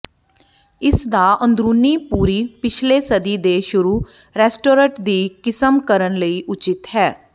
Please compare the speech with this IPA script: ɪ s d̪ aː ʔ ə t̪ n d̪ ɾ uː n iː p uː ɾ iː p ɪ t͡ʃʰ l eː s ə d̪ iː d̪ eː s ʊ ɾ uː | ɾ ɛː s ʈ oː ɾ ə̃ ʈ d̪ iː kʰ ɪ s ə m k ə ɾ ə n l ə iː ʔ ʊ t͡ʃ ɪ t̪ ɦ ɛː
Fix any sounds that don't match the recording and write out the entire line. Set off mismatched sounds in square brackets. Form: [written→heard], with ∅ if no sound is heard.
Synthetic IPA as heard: ɪ s d̪ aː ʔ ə [t̪→∅] n d̪ ɾ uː n iː p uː ɾ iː p ɪ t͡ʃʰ l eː s ə d̪ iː d̪ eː [s→ʃ] ʊ ɾ uː | ɾ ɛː s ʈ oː ɾ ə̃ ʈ d̪ iː [kʰ→k] ɪ s ə m k ə ɾ ə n l ə iː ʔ ʊ t͡ʃ ɪ t̪ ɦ ɛː